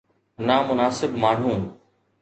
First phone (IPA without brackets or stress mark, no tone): n